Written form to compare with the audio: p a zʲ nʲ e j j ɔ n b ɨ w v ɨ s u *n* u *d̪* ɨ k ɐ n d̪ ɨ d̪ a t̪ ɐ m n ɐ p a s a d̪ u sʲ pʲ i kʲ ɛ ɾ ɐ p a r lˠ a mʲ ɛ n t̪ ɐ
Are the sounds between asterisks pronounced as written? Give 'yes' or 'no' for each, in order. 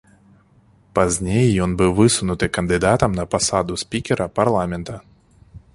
yes, no

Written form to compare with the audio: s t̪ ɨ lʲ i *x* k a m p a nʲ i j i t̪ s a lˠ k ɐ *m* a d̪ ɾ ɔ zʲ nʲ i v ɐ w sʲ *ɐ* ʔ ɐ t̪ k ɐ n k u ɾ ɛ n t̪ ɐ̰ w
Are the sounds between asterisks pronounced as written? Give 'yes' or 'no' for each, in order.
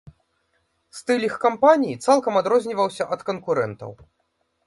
yes, yes, yes

